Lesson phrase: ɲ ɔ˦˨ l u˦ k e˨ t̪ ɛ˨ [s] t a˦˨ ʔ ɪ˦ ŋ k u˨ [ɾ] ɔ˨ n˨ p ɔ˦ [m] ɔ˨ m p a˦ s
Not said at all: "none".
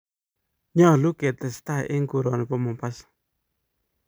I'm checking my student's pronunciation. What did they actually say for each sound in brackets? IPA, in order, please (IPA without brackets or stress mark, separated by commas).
s, ɾ, m